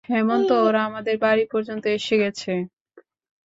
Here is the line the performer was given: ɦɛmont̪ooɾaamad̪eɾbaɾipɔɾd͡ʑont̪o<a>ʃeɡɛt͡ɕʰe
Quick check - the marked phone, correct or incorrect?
incorrect